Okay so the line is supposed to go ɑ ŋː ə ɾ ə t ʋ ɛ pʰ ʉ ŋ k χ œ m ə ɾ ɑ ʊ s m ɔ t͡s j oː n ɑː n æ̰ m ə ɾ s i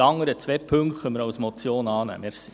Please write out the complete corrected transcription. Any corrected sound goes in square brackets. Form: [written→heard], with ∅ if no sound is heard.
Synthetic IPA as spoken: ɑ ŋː ə ɾ ə [t→t͡s] ʋ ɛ pʰ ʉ ŋ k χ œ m ə ɾ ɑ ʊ s m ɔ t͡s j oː n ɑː n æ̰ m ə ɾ s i